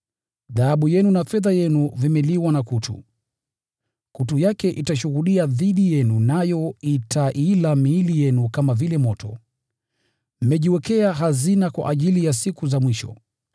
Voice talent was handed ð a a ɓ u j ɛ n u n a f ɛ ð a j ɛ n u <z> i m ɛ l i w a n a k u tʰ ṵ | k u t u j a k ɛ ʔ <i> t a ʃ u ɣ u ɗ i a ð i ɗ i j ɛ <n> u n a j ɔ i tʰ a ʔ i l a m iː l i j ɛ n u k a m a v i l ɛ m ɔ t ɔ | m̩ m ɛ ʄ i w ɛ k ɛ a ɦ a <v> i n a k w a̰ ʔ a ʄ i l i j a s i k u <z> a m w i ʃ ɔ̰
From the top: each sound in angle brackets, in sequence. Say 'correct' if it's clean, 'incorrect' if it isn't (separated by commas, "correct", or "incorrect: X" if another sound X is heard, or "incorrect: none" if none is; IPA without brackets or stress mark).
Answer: incorrect: v, correct, correct, incorrect: z, correct